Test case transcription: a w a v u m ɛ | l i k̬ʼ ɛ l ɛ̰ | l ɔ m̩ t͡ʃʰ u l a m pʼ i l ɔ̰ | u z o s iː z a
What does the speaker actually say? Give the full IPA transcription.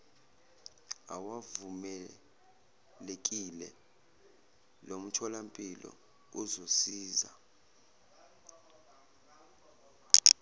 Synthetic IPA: a w a v u m ɛ | l e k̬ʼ i l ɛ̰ | l o m̩ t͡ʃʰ ɔ l a m pʼ i l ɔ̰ | u z o s iː z a